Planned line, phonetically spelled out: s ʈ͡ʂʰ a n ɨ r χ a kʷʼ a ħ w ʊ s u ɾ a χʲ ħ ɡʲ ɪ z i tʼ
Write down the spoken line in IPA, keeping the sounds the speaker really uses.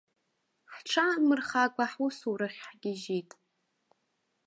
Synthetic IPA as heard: ħ ʈ͡ʂʰ a m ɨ r χ a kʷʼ a ħ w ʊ s u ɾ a χʲ ħ ɡʲ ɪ ʒ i tʼ

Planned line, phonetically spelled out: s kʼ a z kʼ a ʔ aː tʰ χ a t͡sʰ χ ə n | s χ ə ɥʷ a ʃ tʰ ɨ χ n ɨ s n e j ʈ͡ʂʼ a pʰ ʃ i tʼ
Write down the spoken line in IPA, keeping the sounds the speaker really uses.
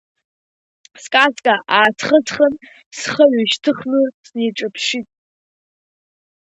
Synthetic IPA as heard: s kʼ a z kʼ a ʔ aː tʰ χ ə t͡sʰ χ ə n | s χ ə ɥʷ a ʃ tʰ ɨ χ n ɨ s n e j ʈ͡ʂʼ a pʰ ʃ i tʼ

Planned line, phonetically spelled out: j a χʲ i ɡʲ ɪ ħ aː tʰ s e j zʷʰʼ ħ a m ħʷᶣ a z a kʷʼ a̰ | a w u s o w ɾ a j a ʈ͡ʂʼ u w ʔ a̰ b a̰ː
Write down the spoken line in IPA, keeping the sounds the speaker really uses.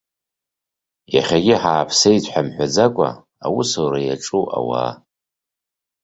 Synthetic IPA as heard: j a χʲ a ɡʲ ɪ ħ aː pʰ s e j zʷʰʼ ħ a m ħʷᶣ a d͡z a kʷʼ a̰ | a w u s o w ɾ a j a ʈ͡ʂʼ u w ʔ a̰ w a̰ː

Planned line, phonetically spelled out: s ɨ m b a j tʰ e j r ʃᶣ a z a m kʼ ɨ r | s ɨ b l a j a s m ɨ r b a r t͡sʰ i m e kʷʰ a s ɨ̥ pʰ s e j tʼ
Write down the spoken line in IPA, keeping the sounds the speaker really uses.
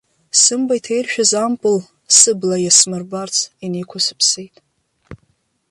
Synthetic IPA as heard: s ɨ m b a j tʰ e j r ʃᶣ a z a m pʼ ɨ l | s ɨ b l a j a s m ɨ r b a r t͡sʰ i n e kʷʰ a s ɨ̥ pʰ s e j tʼ

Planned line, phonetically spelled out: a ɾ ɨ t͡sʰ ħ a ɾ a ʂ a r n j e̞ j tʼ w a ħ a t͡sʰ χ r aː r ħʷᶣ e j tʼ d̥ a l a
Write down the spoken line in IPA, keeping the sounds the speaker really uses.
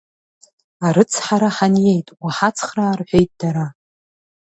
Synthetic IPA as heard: a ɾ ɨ t͡sʰ ħ a ɾ a ħ a n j e̞ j tʼ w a ħ a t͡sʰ χ r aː r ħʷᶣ e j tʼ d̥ a ɾ a

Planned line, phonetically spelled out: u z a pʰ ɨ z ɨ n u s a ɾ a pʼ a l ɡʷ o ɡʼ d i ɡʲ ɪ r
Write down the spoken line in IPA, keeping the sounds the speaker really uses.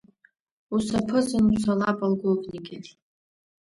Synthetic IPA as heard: u s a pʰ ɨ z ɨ n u s a l a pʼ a l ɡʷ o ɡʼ n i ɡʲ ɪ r

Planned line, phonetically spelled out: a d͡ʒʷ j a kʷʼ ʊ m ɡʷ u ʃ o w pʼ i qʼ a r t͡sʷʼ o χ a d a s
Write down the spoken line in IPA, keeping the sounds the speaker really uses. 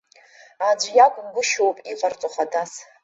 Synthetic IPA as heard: a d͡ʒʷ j a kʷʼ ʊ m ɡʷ ʊ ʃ o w pʼ i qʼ a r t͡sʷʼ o χ a d a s

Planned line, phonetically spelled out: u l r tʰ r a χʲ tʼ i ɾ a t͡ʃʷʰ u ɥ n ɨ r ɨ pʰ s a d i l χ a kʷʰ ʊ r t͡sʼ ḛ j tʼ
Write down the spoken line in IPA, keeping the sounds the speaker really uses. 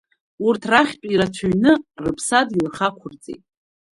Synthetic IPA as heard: u r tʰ r a χʲ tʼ i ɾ a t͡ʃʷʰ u ɥ n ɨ r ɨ pʰ s a d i l χ a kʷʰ ʊ r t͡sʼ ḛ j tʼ

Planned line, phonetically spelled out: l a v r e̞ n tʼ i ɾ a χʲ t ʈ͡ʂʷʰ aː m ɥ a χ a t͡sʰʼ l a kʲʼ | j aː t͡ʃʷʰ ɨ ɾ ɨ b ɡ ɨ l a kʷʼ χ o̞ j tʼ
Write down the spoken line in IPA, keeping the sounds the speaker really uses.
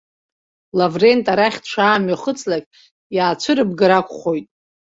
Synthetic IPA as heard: l a v r e̞ n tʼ a ɾ a χʲ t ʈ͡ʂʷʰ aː m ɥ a χ ə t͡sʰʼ l a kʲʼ | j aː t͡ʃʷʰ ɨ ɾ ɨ b ɡ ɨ ɾ a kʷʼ χ o̞ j tʼ

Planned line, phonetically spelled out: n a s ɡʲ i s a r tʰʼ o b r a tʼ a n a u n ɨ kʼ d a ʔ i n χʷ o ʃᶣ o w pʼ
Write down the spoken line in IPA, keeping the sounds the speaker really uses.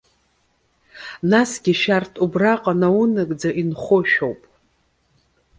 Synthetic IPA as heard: n a s ɡʲ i ʃ a r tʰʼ u b r a qʼ a n a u n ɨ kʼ d͡z a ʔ i n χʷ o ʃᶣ o w pʼ

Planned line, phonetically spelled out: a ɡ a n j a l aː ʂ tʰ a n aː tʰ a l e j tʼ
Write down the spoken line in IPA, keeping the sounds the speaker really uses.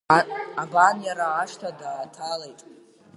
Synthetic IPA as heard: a b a n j a ɾ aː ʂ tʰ a d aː tʰ a l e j tʼ

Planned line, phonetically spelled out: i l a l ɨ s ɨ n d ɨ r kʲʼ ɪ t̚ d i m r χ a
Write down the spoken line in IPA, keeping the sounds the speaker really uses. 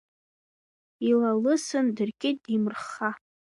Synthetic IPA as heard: i l a l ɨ s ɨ n d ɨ r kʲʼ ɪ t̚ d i m r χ a

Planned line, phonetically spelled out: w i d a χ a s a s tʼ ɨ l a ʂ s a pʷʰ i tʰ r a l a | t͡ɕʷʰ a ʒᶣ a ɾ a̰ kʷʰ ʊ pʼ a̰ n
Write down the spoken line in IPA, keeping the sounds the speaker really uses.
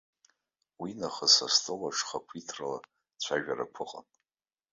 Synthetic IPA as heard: w i n a χ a s a s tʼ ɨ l a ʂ χ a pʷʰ i tʰ r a l a | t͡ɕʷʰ a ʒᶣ a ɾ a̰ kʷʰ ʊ qʼ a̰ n

